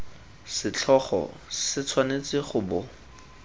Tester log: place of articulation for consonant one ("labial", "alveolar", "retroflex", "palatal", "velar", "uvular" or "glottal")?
alveolar